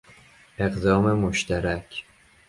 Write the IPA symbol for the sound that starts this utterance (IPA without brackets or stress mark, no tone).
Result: e̞